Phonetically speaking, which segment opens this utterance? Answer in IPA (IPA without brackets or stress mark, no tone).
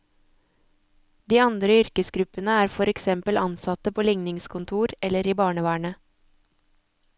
d̪